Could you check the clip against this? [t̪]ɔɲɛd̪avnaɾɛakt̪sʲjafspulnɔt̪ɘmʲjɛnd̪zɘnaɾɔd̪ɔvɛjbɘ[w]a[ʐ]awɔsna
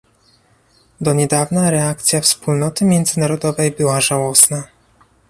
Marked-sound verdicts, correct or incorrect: incorrect, correct, correct

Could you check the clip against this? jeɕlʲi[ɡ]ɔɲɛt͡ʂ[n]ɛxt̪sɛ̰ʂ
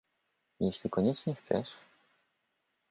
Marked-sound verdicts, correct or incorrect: incorrect, incorrect

